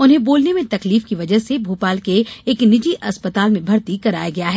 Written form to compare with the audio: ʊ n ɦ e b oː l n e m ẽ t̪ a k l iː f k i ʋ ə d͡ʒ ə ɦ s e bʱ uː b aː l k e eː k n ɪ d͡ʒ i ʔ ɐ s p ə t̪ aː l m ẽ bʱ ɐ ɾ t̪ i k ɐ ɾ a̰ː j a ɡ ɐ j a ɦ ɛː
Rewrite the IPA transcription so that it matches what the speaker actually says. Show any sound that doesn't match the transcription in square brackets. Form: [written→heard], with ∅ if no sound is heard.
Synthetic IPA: ʊ n ɦ [e→ẽ] b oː l n e m ẽ t̪ [a→ɐ] k l iː f k i ʋ [ə→ɐ] d͡ʒ ə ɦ s e bʱ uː [b→p] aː l k e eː k n ɪ d͡ʒ i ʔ ɐ s p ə t̪ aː l m ẽ bʱ ɐ ɾ t̪ i k ɐ ɾ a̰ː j a ɡ ɐ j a ɦ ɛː

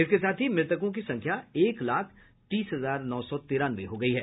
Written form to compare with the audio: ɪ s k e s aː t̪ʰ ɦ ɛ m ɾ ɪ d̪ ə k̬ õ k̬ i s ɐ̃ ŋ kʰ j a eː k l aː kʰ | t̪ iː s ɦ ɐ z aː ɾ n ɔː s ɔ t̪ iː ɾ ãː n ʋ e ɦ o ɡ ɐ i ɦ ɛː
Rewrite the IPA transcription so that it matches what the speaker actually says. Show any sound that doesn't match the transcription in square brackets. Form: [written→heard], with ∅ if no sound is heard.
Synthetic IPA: ɪ s k e s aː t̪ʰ ɦ [ɛ→i] m ɾ ɪ [d̪→t̪] ə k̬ õ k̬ i s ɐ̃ ŋ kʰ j a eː k l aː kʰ | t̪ iː s ɦ ɐ z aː ɾ n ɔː s ɔ t̪ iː ɾ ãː n ʋ e ɦ o ɡ ɐ i ɦ ɛː

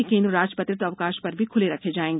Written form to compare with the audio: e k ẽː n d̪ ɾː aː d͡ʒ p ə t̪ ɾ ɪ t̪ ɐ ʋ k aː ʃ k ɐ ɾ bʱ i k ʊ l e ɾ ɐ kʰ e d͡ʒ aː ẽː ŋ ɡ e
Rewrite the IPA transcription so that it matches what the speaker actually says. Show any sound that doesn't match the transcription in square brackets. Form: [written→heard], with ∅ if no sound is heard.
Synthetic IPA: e k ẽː n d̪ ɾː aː d͡ʒ p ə t̪ ɾ ɪ t̪ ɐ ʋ k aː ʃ [k→p] ɐ ɾ bʱ i [k→kʰ] ʊ l e ɾ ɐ kʰ e d͡ʒ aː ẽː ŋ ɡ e

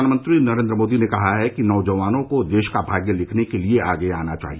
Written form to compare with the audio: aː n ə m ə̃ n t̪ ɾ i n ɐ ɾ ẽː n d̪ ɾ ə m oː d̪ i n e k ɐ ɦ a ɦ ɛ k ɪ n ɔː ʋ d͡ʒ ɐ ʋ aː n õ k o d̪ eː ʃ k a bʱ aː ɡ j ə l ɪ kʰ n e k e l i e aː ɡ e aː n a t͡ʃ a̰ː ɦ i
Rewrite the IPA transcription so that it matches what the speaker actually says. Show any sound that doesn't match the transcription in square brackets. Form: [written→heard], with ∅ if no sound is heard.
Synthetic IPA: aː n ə m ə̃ n t̪ ɾ i n ɐ ɾ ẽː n d̪ ɾ ə m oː d̪ i n e k ɐ ɦ a ɦ ɛ k [ɪ→i] n ɔː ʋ d͡ʒ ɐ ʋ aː n õ k o d̪ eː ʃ k a bʱ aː ɡ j ə l ɪ kʰ n e k e l i e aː ɡ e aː n a t͡ʃ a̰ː ɦ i

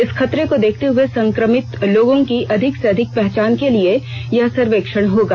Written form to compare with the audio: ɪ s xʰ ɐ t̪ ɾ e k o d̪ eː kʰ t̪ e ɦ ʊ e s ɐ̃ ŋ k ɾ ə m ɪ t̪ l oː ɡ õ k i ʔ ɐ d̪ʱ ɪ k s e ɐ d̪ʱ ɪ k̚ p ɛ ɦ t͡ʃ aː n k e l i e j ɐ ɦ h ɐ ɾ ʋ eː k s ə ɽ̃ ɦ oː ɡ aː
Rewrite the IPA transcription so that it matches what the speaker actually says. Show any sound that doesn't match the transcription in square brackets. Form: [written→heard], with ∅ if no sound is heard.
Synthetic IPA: ɪ s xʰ ɐ t̪ ɾ e k o d̪ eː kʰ t̪ e ɦ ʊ e s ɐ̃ ŋ k ɾ ə m ɪ t̪ l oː ɡ õ k i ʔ ɐ d̪ʱ ɪ k s e ɐ d̪ʱ ɪ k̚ p ɛ ɦ t͡ʃ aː n k e l i e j ɐ ɦ [h→s] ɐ ɾ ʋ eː k [s→ʃ] ə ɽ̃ ɦ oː ɡ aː

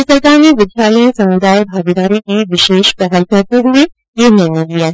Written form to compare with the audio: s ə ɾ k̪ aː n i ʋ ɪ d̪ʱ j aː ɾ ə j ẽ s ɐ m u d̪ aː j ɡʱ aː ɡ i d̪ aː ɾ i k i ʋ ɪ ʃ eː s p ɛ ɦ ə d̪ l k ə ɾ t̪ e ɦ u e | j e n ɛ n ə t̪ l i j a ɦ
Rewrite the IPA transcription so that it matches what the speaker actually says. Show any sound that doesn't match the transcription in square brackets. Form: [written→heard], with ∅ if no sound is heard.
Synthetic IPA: s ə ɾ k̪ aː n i ʋ ɪ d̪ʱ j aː [ɾ→l] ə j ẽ s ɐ m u d̪ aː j [ɡʱ→bʱ] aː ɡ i d̪ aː ɾ i k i ʋ ɪ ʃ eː [s→ʃ] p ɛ ɦ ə [d̪→∅] l k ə ɾ t̪ e ɦ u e | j e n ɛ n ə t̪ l i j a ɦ

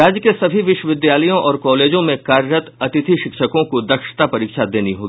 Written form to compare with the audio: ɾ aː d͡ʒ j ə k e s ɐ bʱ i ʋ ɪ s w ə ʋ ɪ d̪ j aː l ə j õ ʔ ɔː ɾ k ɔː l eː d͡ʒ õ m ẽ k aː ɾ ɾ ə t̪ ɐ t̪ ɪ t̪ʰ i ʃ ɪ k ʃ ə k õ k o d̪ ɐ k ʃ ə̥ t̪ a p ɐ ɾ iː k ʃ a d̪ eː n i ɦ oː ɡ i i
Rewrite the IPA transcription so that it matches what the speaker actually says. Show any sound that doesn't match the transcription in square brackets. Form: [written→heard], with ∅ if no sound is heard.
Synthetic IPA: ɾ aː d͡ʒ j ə k e s ɐ bʱ i ʋ ɪ [s→ʃ] w ə ʋ ɪ d̪ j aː l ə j õ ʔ ɔː ɾ k ɔː l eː d͡ʒ õ m ẽ k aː ɾ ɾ ə t̪ ɐ t̪ ɪ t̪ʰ i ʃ ɪ k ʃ ə k õ k o d̪ ɐ k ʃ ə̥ t̪ a p ɐ ɾ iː k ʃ a d̪ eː n i ɦ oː ɡ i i

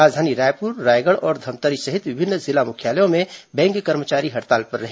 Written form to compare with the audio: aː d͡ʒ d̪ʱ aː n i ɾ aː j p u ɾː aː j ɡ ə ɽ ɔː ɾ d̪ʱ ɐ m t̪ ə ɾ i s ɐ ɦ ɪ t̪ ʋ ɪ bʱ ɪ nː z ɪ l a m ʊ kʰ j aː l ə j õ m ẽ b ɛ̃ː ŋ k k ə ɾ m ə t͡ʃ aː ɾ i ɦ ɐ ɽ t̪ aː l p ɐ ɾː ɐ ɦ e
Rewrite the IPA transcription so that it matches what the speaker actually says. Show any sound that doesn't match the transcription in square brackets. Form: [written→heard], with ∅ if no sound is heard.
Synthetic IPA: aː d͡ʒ d̪ʱ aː n i ɾ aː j p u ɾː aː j ɡ ə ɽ ɔː ɾ d̪ʱ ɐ m t̪ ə ɾ i s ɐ ɦ ɪ t̪ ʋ ɪ bʱ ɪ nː z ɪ l a m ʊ kʰ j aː l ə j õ m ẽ b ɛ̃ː ŋ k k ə ɾ m ə t͡ʃ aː ɾ i ɦ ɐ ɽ t̪ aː l p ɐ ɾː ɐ ɦ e

